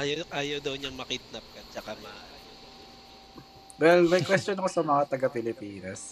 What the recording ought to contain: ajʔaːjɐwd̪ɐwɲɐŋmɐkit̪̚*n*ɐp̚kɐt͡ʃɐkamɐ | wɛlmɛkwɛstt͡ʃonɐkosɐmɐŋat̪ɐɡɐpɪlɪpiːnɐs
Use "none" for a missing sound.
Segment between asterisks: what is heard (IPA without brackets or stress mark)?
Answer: n